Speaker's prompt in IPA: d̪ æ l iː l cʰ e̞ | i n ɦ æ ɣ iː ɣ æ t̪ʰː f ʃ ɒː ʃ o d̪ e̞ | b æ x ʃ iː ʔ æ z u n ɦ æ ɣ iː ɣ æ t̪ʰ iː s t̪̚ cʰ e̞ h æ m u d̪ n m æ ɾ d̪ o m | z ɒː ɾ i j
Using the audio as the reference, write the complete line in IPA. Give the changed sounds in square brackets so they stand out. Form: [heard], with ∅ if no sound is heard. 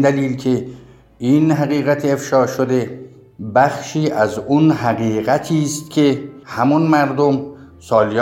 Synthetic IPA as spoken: d̪ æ l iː l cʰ e̞ | i n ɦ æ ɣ iː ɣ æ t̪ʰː f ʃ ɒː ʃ o d̪ e̞ | b æ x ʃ iː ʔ æ z u n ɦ æ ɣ iː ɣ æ t̪ʰ iː s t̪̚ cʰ e̞ h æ m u [∅] n m æ ɾ d̪ o m | [s] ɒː [l] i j